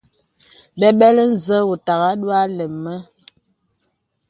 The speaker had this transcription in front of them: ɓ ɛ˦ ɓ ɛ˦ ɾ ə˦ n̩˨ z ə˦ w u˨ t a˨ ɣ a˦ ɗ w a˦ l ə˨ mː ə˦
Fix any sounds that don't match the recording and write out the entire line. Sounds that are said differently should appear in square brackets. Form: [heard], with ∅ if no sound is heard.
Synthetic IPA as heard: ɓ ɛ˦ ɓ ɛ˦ [l] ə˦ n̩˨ z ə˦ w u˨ t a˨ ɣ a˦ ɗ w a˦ l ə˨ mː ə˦

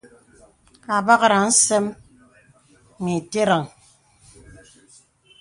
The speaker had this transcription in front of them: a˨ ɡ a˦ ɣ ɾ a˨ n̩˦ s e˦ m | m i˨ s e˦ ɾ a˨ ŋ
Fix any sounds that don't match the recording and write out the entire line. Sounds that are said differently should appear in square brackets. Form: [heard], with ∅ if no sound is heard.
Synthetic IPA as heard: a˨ [b] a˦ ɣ ɾ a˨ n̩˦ s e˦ m | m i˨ [t] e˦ ɾ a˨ ŋ

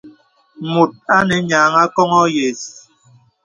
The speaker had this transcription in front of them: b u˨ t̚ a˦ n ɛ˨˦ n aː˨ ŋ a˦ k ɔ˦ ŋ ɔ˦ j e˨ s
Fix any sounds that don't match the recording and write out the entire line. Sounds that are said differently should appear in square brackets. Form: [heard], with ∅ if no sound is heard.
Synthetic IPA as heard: [m] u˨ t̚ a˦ n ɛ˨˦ [ɲ] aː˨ ŋ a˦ k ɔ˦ ŋ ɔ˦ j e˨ s

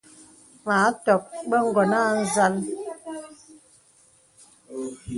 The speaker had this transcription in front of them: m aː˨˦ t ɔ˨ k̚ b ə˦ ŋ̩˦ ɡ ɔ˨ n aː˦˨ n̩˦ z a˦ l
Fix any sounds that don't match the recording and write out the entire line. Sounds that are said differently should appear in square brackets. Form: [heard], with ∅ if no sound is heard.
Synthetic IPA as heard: m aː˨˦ t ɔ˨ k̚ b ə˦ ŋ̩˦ ɡ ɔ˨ n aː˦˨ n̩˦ z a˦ l

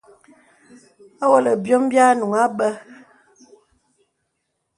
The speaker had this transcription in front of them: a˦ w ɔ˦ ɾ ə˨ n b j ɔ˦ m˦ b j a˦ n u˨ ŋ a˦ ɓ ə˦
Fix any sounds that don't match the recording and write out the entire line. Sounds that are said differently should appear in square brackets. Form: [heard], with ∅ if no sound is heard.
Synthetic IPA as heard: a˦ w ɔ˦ [l] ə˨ [∅] b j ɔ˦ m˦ b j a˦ n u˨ ŋ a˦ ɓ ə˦

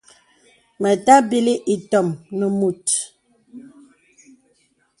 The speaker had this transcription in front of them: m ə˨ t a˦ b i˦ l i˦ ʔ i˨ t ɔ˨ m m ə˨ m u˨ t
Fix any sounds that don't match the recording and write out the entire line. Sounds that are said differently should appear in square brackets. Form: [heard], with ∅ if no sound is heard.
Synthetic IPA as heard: m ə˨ t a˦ b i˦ l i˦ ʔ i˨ t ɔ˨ m [n] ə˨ m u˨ t

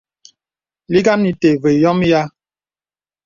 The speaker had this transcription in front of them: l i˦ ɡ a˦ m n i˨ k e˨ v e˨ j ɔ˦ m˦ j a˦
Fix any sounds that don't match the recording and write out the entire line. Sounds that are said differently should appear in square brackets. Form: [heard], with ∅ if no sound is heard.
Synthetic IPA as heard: l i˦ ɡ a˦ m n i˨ [t] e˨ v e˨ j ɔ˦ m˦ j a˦

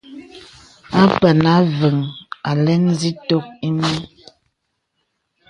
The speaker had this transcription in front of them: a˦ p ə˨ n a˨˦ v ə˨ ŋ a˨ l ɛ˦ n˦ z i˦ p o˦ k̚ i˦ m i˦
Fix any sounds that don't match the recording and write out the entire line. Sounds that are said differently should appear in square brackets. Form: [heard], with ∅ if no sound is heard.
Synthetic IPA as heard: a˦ p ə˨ n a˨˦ v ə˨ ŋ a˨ l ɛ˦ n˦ z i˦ [t] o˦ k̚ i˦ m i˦

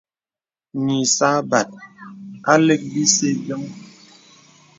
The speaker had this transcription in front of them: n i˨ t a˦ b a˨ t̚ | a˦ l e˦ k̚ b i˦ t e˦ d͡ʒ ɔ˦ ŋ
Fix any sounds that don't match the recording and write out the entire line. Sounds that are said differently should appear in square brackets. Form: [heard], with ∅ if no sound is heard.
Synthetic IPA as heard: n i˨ [s] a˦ b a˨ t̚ | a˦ l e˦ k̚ b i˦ [s] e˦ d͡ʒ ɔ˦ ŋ

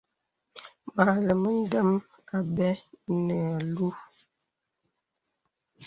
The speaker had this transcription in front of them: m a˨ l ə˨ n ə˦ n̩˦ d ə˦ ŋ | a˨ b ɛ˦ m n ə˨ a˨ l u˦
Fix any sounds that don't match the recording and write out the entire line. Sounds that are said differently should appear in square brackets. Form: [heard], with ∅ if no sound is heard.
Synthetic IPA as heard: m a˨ l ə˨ [m] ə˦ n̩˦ d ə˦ [m] | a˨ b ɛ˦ [∅] n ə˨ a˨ l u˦

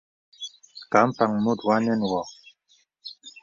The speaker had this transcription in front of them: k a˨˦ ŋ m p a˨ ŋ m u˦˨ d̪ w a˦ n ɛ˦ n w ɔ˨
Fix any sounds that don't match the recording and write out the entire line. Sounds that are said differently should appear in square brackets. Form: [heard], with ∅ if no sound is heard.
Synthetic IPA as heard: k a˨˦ [∅] m p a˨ ŋ m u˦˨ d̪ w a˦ n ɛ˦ n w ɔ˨

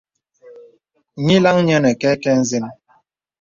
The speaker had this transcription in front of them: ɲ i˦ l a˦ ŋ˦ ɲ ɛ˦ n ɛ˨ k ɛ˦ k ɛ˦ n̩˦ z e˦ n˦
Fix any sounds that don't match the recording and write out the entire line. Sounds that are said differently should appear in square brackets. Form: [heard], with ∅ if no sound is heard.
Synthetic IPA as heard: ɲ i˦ l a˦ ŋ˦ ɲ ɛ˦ n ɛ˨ k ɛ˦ k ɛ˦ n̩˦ z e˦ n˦

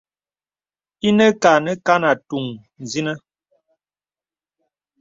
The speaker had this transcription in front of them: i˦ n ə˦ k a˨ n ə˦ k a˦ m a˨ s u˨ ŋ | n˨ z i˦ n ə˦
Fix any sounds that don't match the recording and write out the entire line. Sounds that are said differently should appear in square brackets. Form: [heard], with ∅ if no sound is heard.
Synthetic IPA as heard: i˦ n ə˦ k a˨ n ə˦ k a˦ [n] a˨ [t] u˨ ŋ | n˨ z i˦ n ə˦

